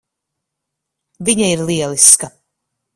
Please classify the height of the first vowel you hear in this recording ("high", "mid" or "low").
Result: high